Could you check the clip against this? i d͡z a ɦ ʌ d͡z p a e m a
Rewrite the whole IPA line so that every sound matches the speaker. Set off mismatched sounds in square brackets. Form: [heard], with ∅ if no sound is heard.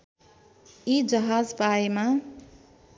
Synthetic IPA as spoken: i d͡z [ʌ] ɦ [a] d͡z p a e m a